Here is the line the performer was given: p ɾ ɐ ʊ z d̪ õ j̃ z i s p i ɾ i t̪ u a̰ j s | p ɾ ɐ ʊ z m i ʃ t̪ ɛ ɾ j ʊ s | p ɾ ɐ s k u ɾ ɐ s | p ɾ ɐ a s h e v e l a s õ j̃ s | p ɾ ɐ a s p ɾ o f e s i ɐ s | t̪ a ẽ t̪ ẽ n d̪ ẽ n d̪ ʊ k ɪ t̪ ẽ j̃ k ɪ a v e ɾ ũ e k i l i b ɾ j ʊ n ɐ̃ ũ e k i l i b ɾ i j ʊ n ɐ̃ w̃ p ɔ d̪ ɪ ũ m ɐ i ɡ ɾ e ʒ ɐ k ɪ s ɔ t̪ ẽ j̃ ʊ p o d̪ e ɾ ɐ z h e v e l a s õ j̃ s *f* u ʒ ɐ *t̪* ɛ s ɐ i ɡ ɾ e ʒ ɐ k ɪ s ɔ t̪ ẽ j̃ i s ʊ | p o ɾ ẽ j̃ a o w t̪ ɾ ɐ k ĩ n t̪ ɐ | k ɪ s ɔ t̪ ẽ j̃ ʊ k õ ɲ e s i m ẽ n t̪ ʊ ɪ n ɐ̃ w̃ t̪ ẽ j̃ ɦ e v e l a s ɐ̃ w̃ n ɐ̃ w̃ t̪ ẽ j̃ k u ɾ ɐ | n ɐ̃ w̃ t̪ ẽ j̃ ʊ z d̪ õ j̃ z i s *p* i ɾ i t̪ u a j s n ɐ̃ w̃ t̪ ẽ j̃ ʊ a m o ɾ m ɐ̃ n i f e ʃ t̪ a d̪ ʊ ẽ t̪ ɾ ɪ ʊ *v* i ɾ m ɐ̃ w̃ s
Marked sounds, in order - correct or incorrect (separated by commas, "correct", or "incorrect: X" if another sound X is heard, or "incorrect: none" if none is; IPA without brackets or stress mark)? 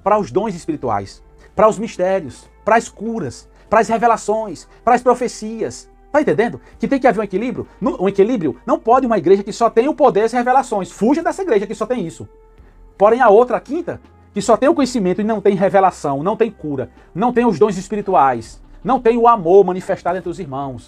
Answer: correct, incorrect: d̪, correct, incorrect: z